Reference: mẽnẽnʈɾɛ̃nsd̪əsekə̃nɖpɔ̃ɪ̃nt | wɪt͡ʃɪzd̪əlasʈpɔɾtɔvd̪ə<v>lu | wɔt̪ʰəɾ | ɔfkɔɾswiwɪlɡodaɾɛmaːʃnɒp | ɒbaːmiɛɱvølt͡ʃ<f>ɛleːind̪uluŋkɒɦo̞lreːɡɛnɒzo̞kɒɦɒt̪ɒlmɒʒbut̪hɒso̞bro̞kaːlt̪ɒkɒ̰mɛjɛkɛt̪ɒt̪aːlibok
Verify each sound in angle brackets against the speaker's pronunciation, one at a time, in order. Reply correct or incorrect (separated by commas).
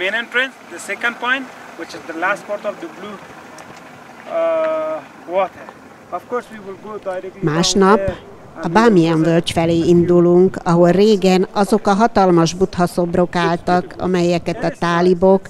incorrect, correct